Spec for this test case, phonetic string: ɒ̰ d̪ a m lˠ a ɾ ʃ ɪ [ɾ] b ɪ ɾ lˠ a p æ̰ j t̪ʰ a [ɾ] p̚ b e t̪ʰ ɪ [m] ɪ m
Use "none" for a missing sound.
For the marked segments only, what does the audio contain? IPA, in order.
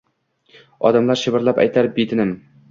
none, ɾ, n

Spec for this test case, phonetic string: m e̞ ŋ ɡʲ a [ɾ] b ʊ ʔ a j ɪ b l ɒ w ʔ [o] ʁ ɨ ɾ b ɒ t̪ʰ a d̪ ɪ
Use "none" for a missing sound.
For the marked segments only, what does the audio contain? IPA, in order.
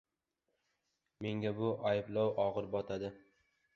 none, ɒ

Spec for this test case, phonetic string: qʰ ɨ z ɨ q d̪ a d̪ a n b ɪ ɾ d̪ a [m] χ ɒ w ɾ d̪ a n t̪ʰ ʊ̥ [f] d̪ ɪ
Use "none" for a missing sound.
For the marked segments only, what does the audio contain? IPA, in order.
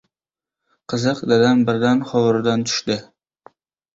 n, ʃ

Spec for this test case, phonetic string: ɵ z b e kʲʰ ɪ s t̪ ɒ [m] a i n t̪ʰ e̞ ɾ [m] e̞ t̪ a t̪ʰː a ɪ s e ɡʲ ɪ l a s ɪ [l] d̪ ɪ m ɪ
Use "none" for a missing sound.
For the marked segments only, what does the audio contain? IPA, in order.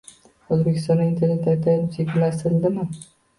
n, n, l

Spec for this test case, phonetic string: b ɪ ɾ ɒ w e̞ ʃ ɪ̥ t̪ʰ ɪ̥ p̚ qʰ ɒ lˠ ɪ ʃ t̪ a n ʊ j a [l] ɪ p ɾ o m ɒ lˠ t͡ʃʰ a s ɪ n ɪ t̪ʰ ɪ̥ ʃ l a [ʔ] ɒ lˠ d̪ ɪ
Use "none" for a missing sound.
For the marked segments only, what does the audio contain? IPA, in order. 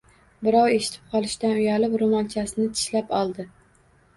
l, p

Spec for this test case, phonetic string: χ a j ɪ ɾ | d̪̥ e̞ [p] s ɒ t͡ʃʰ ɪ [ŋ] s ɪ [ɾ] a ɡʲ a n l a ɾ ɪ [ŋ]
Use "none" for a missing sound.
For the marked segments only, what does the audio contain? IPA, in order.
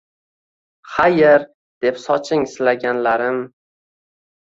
p, ŋ, l, m

